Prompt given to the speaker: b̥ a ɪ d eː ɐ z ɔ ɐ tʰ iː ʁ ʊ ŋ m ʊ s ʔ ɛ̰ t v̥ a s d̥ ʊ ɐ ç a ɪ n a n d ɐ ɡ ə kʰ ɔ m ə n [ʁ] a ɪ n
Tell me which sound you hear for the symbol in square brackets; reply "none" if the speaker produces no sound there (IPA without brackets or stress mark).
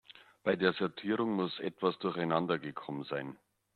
z